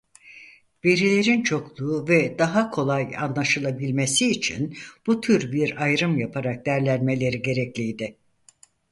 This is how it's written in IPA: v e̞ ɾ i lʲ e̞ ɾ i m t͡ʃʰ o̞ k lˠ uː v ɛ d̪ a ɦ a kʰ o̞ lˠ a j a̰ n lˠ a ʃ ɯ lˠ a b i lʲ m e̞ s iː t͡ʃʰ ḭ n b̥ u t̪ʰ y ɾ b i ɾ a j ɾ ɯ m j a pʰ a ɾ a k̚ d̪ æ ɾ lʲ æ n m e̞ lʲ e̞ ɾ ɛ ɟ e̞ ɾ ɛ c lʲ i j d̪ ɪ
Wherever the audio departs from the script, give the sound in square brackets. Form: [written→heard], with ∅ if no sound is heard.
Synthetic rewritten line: v e̞ ɾ i lʲ e̞ ɾ i [m→n] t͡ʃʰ o̞ k lˠ uː v ɛ d̪ a ɦ a kʰ o̞ lˠ a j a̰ n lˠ a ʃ ɯ lˠ a b i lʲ m e̞ s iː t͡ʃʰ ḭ n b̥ u t̪ʰ y ɾ b i ɾ a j ɾ ɯ m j a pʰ a ɾ a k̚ d̪ æ ɾ lʲ æ n m e̞ lʲ e̞ ɾ [ɛ→i] ɟ e̞ ɾ ɛ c lʲ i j d̪ ɪ